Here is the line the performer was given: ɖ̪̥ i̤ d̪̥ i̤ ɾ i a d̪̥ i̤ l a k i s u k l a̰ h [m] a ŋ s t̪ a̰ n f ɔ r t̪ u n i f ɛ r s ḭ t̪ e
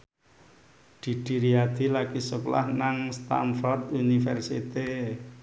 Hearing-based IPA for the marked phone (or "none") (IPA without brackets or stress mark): n